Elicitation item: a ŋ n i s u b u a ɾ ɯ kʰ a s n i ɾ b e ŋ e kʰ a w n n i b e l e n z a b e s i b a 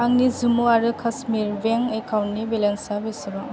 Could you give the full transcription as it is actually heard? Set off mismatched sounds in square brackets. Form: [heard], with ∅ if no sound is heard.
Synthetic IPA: a ŋ n i [z] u [m] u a ɾ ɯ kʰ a s [m] i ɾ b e ŋ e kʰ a w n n i b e l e n [s] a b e s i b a